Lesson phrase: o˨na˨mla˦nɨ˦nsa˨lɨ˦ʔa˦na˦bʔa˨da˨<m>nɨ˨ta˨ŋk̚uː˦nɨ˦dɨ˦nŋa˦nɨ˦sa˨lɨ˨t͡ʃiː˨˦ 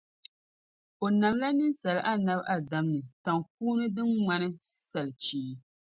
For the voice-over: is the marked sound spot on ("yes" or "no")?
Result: yes